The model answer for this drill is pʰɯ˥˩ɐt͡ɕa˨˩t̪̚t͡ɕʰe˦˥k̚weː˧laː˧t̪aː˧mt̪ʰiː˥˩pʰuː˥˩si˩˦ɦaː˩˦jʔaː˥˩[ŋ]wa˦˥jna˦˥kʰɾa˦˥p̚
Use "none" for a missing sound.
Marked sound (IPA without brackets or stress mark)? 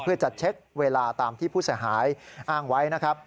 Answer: ŋ